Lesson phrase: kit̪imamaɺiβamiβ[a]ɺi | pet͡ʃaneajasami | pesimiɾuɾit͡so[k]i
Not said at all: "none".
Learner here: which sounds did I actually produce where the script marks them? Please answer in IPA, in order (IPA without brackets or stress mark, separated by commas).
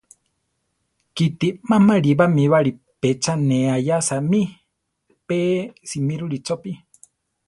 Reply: a, p